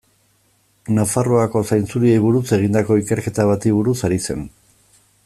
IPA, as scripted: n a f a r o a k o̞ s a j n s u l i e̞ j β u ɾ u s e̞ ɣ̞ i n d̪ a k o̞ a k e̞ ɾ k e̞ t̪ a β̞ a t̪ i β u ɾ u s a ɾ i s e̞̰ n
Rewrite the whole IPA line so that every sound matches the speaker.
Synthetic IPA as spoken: n a f a r o a k o̞ s a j n t͡s u ɾ i e̞ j β u ɾ u s e̞ ɣ̞ i n d̪ a k o̞ i k e̞ ɾ k e̞ t̪ a β̞ a t̪ i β u ɾ u s a ɾ i s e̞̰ n